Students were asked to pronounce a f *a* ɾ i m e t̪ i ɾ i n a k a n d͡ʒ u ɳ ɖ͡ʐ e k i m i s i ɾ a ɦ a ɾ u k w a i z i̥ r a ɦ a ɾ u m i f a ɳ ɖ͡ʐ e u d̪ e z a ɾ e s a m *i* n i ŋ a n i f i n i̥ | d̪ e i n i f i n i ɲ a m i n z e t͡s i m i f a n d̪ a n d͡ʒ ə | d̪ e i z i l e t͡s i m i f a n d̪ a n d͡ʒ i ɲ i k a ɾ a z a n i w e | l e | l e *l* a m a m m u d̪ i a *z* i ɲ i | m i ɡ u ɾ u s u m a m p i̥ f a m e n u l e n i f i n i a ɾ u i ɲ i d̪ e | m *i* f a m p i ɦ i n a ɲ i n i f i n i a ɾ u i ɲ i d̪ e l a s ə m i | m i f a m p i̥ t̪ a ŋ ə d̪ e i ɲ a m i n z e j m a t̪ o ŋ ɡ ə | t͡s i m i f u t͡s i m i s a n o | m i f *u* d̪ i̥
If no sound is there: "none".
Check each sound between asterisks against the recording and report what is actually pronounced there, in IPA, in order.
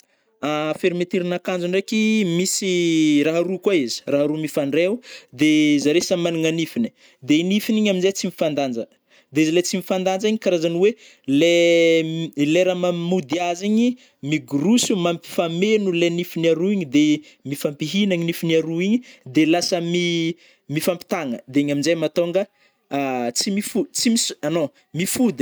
e, a, ɾ, z, i, u

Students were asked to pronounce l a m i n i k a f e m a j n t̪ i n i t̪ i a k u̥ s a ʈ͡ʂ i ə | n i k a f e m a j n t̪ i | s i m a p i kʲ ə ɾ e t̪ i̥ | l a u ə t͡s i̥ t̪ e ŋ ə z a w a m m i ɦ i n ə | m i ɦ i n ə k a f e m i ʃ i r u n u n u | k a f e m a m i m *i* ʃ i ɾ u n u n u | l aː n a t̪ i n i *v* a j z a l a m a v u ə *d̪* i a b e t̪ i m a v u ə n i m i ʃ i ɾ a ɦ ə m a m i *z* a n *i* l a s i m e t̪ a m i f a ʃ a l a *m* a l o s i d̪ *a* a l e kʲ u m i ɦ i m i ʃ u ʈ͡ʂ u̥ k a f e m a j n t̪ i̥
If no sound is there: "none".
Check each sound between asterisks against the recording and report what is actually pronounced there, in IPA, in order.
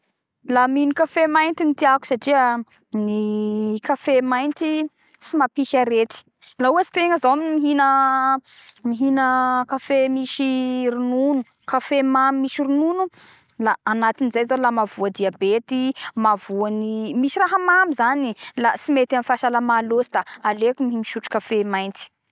i, z, d̪, z, i, m, a

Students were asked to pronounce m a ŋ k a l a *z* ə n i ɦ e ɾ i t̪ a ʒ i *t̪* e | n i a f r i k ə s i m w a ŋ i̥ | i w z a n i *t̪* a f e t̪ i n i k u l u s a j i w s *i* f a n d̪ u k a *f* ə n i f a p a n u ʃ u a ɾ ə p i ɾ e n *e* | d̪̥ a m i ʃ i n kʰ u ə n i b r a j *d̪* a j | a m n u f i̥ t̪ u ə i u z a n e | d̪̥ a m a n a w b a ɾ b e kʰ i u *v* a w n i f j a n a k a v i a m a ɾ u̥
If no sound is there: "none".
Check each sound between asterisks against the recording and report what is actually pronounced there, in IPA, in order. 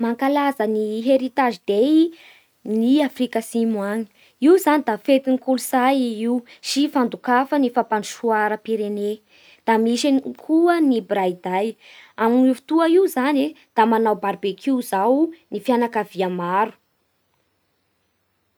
z, d̪, d̪, i, f, e, d̪, z

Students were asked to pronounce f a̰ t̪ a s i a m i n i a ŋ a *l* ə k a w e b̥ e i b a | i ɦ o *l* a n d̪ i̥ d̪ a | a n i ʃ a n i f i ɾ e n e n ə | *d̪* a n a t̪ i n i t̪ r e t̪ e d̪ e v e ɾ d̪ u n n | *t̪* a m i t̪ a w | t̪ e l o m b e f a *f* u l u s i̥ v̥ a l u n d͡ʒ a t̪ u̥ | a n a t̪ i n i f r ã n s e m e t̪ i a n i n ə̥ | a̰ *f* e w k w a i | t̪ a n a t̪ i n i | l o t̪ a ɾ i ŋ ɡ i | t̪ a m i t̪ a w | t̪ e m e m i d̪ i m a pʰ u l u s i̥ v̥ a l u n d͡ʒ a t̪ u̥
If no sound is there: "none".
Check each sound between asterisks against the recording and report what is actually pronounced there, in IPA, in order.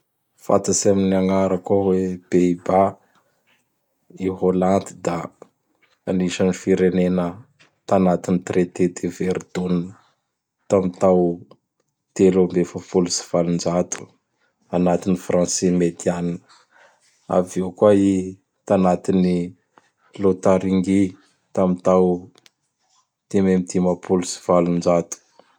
ɾ, l, t̪, t̪, f, v

